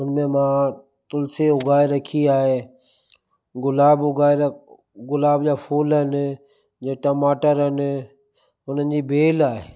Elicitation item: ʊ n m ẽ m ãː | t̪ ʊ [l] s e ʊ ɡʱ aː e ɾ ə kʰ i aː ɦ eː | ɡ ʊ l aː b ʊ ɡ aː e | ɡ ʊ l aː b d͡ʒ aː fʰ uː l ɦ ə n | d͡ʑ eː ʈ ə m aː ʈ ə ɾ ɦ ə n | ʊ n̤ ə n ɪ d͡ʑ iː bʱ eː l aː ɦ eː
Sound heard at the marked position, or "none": l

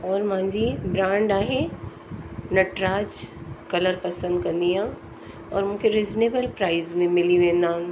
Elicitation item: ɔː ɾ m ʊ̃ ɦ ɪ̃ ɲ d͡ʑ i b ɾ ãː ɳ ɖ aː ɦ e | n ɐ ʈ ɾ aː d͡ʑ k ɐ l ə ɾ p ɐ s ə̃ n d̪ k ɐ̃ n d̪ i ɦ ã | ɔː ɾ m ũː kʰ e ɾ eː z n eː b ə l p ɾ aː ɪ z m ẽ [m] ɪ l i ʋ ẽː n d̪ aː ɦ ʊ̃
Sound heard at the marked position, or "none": m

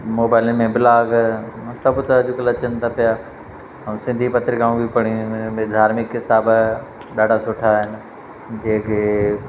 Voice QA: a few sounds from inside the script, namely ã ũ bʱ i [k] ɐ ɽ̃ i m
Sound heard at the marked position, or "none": p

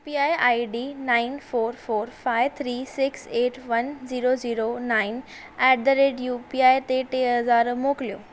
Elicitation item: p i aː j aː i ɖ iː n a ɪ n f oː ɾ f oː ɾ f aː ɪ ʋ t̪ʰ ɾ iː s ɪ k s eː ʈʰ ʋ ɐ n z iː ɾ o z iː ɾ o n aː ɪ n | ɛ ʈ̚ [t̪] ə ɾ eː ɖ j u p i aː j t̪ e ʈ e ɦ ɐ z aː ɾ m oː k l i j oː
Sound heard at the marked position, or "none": d̪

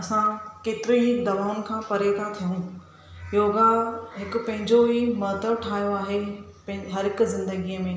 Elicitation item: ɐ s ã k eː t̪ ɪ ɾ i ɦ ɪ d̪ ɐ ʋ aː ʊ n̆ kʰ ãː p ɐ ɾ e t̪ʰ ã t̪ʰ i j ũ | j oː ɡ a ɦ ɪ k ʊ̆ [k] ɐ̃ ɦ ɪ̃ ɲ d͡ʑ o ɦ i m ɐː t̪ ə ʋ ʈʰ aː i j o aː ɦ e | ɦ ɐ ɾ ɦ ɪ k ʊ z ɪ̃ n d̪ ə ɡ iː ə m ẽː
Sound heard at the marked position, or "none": p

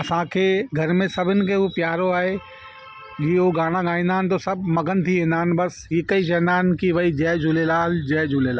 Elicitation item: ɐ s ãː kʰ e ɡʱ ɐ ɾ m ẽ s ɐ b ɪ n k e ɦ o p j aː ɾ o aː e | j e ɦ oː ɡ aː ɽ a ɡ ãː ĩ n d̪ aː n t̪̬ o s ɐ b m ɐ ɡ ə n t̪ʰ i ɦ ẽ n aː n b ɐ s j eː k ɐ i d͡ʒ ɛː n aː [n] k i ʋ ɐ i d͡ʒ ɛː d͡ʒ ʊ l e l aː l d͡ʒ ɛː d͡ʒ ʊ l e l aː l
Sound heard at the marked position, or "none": n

